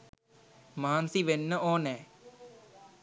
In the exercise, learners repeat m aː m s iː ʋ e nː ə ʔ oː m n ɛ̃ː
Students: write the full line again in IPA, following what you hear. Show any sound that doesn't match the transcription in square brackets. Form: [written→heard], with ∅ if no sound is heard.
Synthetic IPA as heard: m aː [m→n] s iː ʋ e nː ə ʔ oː [m→∅] n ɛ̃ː